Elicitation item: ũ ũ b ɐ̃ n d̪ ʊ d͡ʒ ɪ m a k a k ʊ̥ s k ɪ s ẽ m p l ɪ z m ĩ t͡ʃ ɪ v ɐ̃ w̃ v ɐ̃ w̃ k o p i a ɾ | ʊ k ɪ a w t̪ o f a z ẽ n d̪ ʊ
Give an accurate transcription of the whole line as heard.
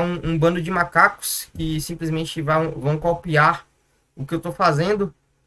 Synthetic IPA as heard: ũ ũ b ɐ̃ n d̪ ʊ d͡ʒ ɪ m a k a k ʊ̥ s k ɪ s ĩ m p l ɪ z m ẽ t͡ʃ ɪ v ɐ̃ w̃ v ɐ̃ w̃ k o p i a ɾ | ʊ k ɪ e w t̪ o f a z ẽ n d̪ ʊ